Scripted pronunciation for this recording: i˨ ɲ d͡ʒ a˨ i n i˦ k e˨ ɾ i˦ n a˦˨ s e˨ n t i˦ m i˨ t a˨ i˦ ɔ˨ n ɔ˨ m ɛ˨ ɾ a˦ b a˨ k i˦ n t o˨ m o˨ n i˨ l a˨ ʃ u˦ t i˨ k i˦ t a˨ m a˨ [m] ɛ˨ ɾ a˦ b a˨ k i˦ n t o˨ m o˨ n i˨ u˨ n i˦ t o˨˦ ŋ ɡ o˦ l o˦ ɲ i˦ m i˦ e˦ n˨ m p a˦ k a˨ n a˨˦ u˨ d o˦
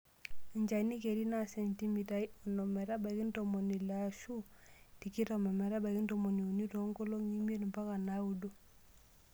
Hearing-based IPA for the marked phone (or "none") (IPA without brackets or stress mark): m